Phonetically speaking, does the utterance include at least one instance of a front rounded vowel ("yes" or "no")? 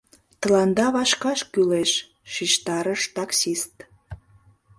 yes